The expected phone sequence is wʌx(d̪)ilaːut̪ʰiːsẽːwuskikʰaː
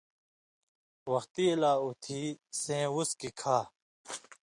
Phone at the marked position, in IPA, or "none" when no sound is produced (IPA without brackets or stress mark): t̪